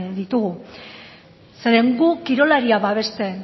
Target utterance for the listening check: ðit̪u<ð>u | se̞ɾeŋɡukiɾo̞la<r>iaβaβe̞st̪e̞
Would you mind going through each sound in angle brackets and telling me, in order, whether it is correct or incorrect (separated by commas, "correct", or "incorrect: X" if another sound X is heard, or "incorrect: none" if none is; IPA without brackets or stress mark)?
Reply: incorrect: ɣ, incorrect: ɾ